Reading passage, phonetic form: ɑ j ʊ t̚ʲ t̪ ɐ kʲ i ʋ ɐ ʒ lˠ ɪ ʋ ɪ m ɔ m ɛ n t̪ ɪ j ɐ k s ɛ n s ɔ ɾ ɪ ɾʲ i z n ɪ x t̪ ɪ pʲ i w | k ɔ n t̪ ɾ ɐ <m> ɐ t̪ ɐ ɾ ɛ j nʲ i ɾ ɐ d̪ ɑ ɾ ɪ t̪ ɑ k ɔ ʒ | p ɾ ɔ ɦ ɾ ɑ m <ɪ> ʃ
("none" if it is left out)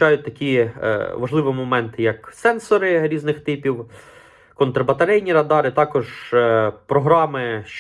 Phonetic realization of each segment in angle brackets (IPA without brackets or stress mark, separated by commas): b, ɪ